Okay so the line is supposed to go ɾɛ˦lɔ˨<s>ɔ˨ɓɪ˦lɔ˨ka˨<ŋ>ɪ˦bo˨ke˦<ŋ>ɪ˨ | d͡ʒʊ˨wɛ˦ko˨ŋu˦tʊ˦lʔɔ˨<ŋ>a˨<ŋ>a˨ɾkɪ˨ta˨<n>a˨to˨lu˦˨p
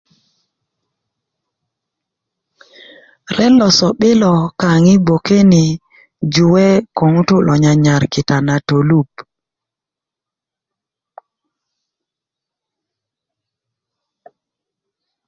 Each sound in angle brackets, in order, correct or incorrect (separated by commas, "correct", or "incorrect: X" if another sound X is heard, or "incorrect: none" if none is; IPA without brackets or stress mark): correct, correct, incorrect: n, incorrect: ɲ, incorrect: ɲ, correct